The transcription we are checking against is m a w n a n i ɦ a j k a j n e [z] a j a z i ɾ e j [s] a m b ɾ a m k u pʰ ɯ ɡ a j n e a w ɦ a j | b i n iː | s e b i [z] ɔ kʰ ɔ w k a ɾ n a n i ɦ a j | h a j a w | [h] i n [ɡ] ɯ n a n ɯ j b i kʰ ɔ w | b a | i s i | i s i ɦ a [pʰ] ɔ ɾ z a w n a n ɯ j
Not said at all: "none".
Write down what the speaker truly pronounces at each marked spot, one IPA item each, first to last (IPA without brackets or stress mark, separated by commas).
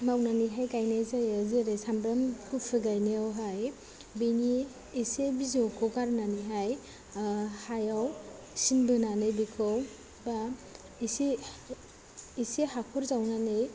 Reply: z, s, z, s, b, kʰ